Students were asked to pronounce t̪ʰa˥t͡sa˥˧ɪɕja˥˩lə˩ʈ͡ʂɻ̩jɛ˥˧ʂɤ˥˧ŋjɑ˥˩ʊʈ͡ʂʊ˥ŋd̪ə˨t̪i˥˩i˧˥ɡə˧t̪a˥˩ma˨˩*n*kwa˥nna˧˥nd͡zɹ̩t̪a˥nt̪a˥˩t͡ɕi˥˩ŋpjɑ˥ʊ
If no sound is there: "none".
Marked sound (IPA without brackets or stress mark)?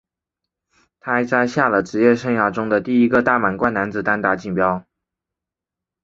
n